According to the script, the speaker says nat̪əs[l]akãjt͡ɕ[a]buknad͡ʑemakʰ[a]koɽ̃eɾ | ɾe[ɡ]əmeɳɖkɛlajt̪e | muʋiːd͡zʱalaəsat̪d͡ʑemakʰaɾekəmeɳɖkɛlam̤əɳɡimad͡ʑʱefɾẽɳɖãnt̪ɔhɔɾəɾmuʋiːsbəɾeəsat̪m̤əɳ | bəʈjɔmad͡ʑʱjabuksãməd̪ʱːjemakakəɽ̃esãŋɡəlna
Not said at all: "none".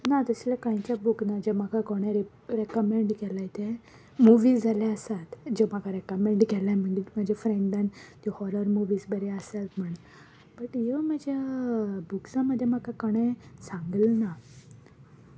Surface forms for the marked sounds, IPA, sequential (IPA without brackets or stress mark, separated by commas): l, a, a, k